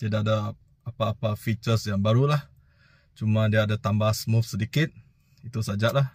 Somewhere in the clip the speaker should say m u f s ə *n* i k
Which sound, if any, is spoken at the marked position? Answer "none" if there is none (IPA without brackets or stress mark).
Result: d